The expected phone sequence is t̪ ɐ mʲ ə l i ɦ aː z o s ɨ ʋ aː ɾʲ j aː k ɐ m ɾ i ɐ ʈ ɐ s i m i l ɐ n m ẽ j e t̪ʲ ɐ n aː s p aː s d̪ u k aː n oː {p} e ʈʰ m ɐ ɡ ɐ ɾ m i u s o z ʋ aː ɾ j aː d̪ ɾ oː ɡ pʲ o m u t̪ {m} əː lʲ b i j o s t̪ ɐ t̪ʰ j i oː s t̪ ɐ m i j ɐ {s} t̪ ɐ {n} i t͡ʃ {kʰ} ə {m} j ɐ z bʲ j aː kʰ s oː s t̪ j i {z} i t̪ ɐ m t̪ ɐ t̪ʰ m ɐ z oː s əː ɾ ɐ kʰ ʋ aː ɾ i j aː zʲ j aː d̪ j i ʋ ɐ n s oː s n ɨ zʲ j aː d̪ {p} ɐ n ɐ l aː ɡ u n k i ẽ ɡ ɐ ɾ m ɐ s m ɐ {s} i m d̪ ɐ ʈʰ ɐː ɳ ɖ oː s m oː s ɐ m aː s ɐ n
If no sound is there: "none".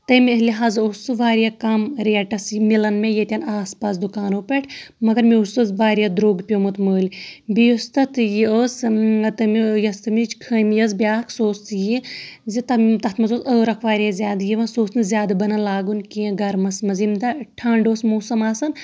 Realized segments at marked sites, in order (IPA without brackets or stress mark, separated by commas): p, m, s, m, kʰ, m, z, b, z